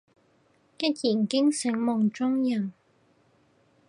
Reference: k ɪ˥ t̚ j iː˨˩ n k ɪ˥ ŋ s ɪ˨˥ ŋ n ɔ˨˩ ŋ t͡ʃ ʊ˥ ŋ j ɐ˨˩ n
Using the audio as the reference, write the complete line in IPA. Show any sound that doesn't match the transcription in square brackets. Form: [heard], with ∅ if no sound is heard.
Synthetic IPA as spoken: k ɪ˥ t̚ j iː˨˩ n k ɪ˥ ŋ s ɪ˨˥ ŋ [m] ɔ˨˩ ŋ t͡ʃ ʊ˥ ŋ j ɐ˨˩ n